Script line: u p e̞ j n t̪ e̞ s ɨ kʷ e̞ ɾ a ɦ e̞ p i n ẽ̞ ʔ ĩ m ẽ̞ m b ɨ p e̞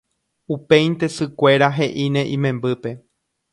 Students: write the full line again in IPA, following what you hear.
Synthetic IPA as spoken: u p e̞ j n t̪ e̞ s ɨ kʷ e̞ ɾ a ɦ e̞ ʔ i n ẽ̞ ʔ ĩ m ẽ̞ m b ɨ p e̞